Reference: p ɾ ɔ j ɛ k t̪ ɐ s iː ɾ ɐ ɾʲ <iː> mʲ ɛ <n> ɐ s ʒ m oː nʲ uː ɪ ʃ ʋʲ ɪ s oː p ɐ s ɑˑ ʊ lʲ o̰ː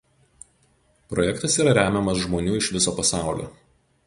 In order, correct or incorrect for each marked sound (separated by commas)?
incorrect, incorrect